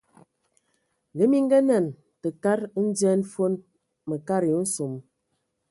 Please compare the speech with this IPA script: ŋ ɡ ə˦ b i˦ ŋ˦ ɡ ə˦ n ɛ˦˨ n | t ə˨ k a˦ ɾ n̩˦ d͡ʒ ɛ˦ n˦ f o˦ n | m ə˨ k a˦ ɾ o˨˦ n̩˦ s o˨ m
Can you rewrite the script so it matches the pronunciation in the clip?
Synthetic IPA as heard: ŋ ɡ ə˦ m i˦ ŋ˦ ɡ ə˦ n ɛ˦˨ n | t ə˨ k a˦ ɾ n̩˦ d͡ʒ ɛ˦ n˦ f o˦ n | m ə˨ k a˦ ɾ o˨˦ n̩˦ s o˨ m